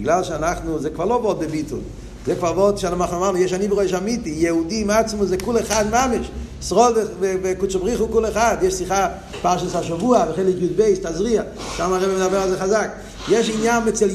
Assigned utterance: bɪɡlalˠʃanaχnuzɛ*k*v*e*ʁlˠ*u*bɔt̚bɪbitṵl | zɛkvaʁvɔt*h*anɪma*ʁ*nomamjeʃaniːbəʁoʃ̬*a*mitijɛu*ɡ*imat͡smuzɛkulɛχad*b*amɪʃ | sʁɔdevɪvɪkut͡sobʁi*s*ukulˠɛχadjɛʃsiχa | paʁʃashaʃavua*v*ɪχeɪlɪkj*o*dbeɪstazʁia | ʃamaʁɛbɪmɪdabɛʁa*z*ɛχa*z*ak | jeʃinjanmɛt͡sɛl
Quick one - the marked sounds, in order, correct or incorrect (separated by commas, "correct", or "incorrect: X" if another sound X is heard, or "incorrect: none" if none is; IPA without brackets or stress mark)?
correct, incorrect: a, incorrect: o, incorrect: ʃ, incorrect: χ, correct, incorrect: d, incorrect: m, incorrect: χ, correct, incorrect: u, correct, correct